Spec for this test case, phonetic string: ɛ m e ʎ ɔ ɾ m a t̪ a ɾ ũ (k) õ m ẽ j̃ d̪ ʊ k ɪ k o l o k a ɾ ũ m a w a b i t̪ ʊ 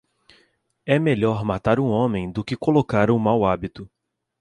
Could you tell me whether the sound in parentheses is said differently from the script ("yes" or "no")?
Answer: yes